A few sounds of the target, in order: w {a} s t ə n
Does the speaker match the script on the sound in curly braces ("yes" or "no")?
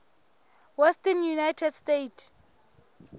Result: no